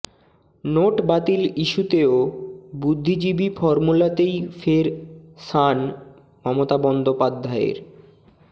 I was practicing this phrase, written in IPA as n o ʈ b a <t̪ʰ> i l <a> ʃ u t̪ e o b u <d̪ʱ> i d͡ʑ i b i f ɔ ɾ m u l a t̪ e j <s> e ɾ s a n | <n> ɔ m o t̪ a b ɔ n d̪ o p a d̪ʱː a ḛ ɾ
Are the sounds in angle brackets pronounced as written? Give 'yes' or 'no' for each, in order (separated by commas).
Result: no, no, no, no, no